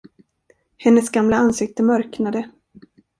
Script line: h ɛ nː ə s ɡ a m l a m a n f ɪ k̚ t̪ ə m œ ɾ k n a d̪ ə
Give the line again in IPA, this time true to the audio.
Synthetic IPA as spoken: h ɛ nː ə s ɡ a m l a a n s ɪ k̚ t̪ ə m œ ɾ k n a d̪ ə